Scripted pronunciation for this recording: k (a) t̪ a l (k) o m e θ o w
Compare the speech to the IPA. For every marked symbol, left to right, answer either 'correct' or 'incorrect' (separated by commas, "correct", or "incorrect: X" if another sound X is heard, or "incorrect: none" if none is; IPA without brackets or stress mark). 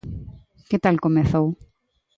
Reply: incorrect: e, correct